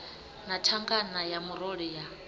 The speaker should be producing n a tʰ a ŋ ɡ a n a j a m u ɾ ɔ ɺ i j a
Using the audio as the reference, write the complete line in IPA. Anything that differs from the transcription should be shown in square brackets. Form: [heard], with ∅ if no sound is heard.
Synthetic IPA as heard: n a tʰ a ŋ ɡ a n a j a m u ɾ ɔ ɺ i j a